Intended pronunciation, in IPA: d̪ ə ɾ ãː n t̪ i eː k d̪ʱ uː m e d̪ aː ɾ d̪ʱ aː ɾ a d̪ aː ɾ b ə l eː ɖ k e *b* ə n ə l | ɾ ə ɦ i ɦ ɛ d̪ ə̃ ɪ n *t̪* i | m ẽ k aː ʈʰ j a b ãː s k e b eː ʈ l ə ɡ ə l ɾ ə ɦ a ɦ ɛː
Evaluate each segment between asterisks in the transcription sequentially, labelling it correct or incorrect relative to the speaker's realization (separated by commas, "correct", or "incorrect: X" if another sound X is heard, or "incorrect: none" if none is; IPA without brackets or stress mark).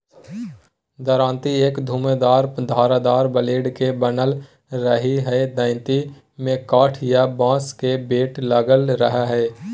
correct, correct